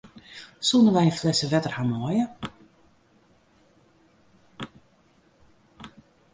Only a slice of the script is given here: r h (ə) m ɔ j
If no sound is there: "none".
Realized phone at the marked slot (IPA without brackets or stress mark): a